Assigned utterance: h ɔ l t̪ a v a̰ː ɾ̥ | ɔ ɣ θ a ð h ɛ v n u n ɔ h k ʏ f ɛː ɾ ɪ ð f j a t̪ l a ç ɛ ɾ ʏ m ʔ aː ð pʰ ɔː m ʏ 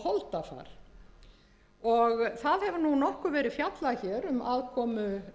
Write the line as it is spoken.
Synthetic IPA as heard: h ɔ l t̪ a f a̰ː ɾ̥ | ɔ ɣ θ a ð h ɛ v n u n ɔ h k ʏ v ɛː ɾ ɪ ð f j a t̪ l a ç ɛ ɾ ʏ m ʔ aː ð kʰ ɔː m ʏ